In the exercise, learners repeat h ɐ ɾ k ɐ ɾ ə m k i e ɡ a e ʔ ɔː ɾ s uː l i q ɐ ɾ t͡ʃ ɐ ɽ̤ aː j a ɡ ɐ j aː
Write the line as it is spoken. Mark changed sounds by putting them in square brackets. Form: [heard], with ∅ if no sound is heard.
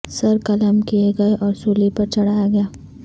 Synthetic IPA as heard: [s] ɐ ɾ k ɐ [l] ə m k i e ɡ [ɐ] e ʔ ɔː ɾ s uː l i [p] ɐ ɾ t͡ʃ ɐ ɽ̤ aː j a ɡ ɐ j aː